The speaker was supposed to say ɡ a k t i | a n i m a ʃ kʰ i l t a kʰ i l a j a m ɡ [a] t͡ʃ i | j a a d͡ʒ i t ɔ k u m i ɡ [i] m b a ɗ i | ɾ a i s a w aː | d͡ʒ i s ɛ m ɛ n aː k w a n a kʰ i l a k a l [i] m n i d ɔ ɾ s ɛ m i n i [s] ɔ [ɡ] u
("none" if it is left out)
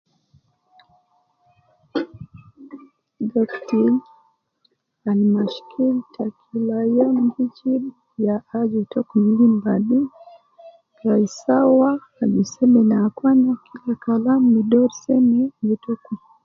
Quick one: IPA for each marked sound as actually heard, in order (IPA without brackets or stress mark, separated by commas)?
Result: i, i, a, t, k